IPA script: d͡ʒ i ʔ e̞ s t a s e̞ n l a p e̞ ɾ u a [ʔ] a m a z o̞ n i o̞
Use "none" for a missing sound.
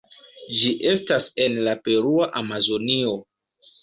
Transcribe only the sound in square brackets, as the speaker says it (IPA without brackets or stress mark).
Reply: ʔ